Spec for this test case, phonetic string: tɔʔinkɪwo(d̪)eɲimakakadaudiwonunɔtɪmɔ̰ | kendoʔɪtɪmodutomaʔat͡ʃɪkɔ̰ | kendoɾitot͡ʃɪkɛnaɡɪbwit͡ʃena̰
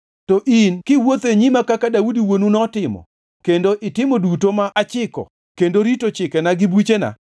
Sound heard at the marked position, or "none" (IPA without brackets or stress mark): t̪